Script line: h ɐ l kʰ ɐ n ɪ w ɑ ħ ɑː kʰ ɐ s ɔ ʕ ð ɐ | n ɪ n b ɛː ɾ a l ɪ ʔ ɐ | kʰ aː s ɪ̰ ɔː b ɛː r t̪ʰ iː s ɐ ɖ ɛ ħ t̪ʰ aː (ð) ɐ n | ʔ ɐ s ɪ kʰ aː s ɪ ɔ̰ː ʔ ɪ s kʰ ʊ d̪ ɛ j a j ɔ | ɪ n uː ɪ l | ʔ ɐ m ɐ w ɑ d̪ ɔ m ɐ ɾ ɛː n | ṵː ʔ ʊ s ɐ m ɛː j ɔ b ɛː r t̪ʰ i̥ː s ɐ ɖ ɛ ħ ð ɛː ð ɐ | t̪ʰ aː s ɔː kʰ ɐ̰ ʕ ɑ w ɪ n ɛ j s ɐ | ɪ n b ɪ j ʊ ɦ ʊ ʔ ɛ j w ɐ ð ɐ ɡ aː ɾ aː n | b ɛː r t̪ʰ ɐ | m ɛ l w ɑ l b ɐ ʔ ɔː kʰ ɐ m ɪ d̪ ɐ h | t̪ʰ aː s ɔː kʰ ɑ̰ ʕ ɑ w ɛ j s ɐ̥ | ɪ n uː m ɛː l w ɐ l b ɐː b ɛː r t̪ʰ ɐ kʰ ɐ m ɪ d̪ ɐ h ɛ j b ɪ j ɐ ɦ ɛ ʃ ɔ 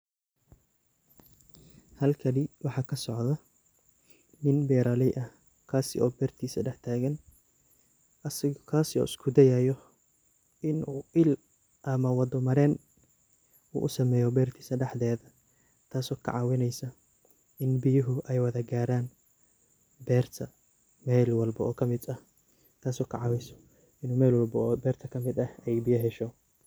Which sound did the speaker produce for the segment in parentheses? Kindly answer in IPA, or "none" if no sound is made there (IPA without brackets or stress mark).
ɣ